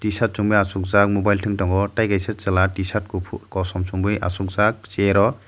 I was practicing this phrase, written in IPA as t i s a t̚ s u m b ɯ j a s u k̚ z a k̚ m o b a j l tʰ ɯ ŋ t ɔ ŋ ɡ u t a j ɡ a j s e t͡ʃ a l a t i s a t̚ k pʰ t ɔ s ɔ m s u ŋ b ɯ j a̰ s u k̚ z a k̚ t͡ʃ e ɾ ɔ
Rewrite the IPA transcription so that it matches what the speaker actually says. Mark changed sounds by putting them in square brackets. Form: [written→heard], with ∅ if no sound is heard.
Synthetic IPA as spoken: t i s a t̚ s u [m→ŋ] b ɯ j a s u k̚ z a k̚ m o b a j l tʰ ɯ ŋ t ɔ ŋ ɡ [u→ɔ] t a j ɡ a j s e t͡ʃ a l a t i s a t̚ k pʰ [t→k] ɔ s ɔ m s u ŋ b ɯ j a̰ s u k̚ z a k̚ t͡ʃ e ɾ ɔ